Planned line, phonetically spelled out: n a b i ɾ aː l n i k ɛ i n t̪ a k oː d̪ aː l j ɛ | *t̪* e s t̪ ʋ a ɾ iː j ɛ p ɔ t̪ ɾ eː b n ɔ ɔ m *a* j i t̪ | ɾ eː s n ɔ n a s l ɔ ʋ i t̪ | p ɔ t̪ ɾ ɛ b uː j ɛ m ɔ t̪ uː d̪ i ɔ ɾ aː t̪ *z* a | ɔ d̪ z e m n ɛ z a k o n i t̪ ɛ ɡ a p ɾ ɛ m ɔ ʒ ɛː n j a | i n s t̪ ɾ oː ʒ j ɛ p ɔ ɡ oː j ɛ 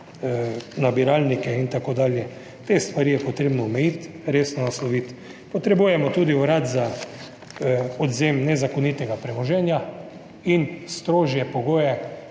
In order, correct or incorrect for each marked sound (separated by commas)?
correct, incorrect, correct